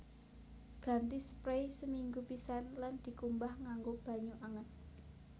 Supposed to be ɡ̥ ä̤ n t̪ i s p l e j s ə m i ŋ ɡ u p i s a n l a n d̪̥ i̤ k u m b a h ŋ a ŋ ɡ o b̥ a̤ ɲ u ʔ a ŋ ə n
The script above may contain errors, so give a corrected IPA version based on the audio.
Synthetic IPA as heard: ɡ̥ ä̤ n t̪ i s p ɾ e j s ə m i ŋ ɡ u p i s a n l a n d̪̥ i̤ k u m b a h ŋ a ŋ ɡ o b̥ a̤ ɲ u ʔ a ŋ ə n